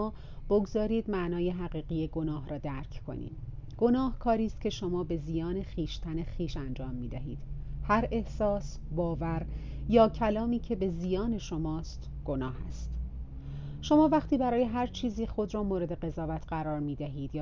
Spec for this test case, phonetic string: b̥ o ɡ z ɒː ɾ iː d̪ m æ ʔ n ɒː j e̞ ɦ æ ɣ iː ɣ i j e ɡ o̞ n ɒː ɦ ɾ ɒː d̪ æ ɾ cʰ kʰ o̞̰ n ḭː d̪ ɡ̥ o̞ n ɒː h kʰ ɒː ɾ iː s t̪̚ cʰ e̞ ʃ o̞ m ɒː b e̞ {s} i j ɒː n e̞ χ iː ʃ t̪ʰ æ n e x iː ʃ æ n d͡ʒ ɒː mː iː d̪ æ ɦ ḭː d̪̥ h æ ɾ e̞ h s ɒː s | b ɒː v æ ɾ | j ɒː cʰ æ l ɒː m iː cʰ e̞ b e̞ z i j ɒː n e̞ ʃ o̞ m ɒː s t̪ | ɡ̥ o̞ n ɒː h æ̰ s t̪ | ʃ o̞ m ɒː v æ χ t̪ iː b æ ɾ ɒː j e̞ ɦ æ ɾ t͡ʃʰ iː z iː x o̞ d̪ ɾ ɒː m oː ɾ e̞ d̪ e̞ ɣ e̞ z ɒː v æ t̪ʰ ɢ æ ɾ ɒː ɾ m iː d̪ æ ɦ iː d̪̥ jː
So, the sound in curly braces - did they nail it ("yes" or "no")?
no